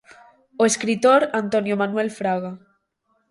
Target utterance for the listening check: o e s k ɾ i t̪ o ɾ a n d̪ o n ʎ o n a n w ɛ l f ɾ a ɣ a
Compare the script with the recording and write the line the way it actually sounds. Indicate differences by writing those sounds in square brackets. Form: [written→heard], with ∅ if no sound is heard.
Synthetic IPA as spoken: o e s k ɾ i t̪ o ɾ a n [d̪→t̪] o n [ʎ→j] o [n→m] a n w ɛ l f ɾ a ɣ a